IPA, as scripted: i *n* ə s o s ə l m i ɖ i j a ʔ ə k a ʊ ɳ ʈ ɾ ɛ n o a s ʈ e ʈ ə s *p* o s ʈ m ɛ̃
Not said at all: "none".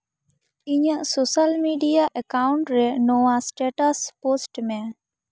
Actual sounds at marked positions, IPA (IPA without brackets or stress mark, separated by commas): ɲ, p